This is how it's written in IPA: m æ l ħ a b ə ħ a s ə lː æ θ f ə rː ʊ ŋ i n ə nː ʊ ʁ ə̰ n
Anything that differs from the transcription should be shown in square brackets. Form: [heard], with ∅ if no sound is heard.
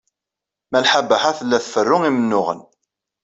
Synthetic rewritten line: m æ l ħ a b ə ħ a [θ] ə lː æ θ f ə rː ʊ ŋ i [m] ə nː ʊ ʁ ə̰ n

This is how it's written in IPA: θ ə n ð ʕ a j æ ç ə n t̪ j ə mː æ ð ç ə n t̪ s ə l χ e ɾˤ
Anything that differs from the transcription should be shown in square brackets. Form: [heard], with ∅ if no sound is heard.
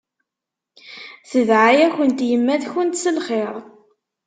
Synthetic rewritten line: θ ə [∅] ð ʕ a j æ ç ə n t̪ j ə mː æ ð ç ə n t̪ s ə l χ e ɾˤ

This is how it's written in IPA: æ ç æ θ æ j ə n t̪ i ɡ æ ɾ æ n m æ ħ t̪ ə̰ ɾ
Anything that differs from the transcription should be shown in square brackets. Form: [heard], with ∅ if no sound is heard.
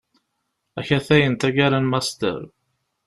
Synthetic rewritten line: æ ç æ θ æ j ə n t̪ [æ] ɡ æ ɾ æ n m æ [s] t̪ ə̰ ɾ

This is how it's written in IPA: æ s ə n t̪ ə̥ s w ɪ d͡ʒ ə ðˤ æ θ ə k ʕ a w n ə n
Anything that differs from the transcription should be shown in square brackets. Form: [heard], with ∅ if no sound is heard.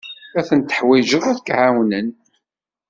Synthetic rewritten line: æ [θ] ə n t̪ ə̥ [ħ] w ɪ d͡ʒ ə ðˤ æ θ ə k ʕ a w n ə n

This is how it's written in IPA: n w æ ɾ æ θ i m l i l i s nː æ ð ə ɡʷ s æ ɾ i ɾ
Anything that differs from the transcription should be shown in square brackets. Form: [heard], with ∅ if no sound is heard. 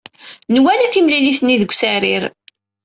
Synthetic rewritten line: n w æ [l] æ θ i m l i l i [θ] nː [i] ð ə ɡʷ s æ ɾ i ɾ

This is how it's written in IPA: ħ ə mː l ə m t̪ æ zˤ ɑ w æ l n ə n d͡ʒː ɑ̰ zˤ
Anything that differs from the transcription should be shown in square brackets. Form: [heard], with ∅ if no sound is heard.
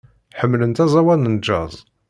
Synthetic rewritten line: ħ ə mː l ə [n] t̪ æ zˤ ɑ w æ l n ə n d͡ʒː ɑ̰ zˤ

